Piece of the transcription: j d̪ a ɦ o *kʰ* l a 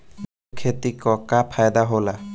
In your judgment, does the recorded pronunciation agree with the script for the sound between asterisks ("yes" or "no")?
no